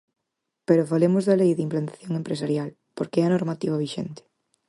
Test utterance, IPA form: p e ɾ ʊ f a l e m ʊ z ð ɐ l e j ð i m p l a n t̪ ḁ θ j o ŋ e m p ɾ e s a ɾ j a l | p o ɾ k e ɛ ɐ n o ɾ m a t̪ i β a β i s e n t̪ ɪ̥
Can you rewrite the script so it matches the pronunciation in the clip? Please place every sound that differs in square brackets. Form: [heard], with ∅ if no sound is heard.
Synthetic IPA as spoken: p e ɾ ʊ f a l e m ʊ z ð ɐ l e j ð i m p l a n t̪ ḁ θ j o ŋ e m p ɾ e s a ɾ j a l | p o ɾ k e ɛ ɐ n o ɾ m a t̪ i β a β i [ʃ] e n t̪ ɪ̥